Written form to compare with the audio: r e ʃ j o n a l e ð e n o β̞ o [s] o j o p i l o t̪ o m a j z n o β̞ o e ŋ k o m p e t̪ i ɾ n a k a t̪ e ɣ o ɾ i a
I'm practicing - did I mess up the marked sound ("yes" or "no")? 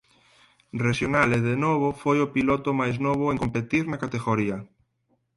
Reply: yes